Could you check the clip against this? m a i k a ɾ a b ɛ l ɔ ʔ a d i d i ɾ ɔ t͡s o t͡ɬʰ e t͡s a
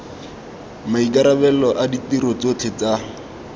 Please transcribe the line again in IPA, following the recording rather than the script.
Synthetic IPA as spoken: m a i k a ɾ a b ɛ l ɔ ʔ a d i t i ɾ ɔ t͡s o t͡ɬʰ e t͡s a